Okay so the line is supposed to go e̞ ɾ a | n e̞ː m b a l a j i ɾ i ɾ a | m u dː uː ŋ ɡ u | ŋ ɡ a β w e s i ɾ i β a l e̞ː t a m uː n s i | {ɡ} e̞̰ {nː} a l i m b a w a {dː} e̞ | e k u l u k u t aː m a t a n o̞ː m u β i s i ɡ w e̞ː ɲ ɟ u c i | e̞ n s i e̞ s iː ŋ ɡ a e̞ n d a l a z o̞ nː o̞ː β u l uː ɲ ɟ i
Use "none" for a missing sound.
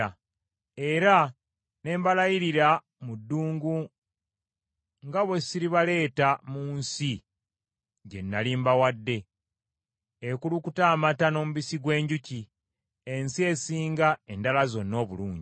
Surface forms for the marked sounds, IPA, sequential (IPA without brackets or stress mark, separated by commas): ɟ, nː, dː